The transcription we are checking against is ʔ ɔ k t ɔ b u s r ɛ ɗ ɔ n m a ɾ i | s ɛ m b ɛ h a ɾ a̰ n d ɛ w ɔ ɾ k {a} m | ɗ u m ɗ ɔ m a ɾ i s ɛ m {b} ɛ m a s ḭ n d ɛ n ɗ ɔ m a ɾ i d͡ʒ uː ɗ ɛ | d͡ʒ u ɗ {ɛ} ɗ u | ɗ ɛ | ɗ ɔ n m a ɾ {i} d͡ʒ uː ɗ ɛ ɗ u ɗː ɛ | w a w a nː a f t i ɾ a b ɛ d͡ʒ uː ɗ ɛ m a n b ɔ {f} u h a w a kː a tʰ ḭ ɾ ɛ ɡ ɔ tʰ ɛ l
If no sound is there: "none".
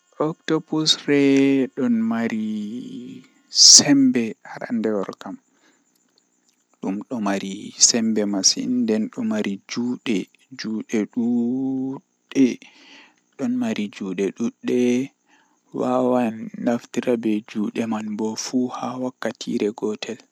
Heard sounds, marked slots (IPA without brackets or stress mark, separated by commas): a, b, ɛ, i, f